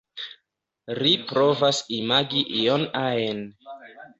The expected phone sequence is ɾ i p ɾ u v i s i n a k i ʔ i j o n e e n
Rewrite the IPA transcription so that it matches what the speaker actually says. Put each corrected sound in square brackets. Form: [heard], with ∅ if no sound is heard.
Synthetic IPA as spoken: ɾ i p ɾ [o] v [a] s i [m] a [ɡ] i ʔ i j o n [a] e n